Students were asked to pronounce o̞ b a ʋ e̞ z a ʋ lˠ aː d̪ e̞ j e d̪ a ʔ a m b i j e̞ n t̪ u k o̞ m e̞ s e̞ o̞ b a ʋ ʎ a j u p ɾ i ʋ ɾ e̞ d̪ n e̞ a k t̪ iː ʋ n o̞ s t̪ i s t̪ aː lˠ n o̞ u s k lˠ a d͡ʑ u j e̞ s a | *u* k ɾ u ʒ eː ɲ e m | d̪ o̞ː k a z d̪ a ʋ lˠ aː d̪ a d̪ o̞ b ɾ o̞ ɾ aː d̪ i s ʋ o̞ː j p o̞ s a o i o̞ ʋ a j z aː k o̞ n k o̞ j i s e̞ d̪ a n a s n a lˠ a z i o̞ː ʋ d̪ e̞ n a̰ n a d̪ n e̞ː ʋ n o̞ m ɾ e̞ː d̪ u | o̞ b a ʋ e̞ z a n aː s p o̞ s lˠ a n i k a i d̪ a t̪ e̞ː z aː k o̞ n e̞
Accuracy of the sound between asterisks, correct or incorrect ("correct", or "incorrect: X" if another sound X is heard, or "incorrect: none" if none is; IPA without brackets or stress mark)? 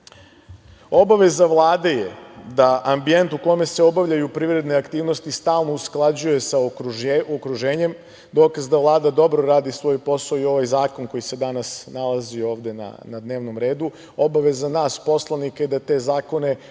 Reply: incorrect: o